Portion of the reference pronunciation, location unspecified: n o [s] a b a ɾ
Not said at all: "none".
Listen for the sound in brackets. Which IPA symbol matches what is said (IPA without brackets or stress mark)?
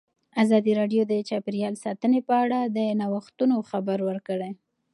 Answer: x